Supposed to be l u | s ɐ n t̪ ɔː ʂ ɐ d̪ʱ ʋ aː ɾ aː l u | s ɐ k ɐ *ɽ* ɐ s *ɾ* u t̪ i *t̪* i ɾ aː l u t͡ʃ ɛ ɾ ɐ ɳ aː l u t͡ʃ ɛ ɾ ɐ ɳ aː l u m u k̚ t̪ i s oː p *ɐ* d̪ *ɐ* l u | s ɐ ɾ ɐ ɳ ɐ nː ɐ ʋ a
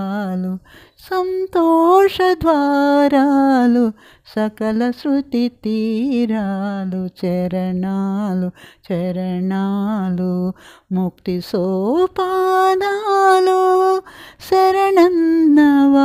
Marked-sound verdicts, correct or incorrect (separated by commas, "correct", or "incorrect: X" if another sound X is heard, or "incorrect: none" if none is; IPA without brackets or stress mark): incorrect: l, correct, correct, incorrect: a, incorrect: a